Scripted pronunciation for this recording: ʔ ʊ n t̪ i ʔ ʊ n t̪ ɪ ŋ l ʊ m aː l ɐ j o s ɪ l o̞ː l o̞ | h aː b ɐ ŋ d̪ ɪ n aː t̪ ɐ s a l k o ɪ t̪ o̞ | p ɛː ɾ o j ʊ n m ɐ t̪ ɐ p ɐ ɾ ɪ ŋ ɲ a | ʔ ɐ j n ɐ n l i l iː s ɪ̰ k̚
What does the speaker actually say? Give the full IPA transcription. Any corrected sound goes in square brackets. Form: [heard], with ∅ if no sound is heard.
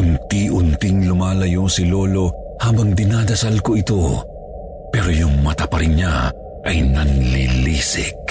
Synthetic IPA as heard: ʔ ʊ n t̪ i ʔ ʊ n t̪ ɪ ŋ l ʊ m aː l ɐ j o s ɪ l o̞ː l o̞ | h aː b ɐ ŋ d̪ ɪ n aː [d̪] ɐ s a l k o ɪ t̪ o̞ | p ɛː ɾ o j ʊ [ŋ] m ɐ t̪ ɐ p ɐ ɾ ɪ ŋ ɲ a | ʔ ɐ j n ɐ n l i l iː s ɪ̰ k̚